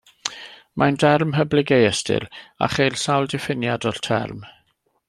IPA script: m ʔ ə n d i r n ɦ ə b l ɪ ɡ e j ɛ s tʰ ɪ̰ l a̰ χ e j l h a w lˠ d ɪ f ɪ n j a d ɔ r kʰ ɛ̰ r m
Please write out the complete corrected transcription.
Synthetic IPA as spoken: m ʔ a n d ɛ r m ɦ ə b l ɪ ɡ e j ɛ s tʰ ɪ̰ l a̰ χ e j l s a w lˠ d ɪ f ɪ n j a d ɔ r tʰ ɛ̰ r m